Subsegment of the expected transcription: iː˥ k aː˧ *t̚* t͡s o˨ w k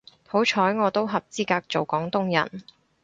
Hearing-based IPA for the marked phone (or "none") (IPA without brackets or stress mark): k̚